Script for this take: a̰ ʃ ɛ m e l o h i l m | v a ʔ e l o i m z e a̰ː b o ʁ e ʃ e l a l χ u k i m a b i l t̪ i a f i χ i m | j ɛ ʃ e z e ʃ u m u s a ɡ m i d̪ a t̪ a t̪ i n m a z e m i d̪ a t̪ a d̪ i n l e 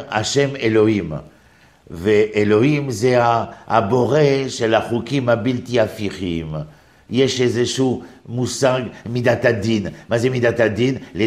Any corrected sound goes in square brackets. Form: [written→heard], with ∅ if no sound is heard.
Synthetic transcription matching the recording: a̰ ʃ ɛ m e l o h i [l→∅] m | v [a→e] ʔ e l o i m z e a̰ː b o ʁ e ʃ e l a [l→∅] χ u k i m a b i l t̪ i a f i χ i m | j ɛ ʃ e z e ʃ u m u s a ɡ m i d̪ a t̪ a [t̪→d̪] i n m a z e m i d̪ a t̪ a d̪ i n l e